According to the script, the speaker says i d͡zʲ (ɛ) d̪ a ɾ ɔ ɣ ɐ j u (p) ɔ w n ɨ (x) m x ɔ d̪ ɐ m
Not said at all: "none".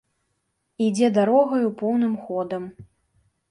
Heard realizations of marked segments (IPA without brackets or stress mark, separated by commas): ɛ, p, none